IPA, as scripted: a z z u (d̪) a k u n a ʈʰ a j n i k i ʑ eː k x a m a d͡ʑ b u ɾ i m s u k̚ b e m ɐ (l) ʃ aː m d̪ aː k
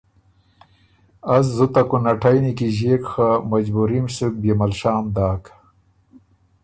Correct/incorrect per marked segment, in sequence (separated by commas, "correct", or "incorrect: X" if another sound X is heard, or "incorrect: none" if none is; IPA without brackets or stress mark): incorrect: t̪, correct